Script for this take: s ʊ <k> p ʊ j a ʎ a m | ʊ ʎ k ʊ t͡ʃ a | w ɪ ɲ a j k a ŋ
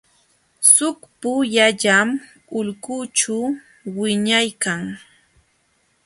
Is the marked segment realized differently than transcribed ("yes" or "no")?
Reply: no